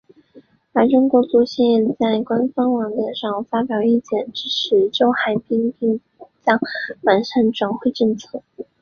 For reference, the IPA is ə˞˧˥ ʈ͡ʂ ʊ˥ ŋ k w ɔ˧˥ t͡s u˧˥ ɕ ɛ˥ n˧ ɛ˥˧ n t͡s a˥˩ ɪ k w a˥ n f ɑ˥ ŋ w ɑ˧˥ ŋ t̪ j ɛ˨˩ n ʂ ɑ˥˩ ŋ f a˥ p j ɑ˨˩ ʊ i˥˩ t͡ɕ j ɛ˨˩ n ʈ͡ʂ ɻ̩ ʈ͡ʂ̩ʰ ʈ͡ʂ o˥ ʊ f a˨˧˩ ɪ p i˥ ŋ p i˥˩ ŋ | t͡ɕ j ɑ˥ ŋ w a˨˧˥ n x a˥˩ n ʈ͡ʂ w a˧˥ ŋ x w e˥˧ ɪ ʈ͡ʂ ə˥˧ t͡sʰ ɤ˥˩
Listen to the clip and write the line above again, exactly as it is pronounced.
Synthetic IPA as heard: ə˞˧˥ ʈ͡ʂ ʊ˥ ŋ k w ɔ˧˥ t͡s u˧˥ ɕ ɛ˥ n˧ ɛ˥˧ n t͡s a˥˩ ɪ k w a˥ n f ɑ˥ ŋ w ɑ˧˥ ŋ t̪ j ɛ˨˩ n ʂ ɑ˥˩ ŋ f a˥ p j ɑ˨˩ ʊ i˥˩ t͡ɕ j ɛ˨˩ n ʈ͡ʂ ɻ̩ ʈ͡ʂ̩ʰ ʈ͡ʂ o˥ ʊ x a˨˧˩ ɪ p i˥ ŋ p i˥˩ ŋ | t͡ɕ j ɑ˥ ŋ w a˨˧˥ n ʂ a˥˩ n ʈ͡ʂ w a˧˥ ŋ x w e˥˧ ɪ ʈ͡ʂ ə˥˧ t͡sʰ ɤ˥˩